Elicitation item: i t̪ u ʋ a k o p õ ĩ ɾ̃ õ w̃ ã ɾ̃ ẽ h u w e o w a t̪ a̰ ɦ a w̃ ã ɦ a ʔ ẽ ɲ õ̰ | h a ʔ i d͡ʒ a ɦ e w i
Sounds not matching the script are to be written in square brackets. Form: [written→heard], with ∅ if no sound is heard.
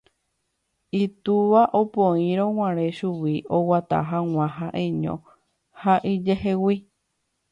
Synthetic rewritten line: i t̪ u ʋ a [k→ʔ] o p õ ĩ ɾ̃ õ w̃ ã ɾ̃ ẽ [h→ʃ] u w [e→i] o w a t̪ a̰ ɦ a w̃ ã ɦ a ʔ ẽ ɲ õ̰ | h a ʔ i d͡ʒ [a→e] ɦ e w i